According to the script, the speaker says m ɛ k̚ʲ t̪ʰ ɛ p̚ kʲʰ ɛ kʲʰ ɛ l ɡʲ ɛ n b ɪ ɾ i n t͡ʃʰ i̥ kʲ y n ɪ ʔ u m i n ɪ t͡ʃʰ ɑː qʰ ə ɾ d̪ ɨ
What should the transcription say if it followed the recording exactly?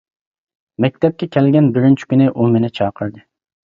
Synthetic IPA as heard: m ɛ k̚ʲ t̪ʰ ɛ p̚ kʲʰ ɛ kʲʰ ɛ l ɡʲ ɛ n b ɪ ɾ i n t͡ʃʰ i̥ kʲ y n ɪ ʔ u m e n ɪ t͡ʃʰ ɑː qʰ ə ɾ d̪ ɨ